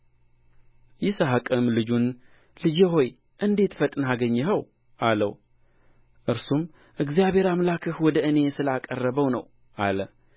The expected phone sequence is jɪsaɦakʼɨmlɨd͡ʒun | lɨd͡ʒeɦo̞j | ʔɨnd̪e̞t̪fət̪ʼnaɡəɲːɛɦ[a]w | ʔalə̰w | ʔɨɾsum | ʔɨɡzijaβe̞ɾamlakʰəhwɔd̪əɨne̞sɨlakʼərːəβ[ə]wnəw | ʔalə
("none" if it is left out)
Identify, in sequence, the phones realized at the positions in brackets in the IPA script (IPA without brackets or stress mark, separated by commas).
ə, ə